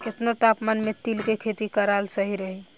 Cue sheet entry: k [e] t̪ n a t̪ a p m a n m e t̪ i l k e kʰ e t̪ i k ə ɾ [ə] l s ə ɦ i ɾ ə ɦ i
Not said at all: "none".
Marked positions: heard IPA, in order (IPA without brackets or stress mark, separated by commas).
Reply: e, a